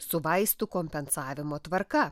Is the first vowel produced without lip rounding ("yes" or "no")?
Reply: no